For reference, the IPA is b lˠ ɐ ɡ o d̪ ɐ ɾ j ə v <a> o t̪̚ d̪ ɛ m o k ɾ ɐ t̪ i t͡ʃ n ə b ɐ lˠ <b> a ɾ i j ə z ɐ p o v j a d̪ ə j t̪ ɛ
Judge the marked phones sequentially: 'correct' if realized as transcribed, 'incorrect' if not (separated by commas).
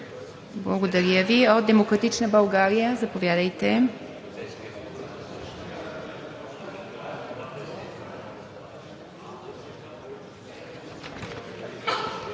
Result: incorrect, incorrect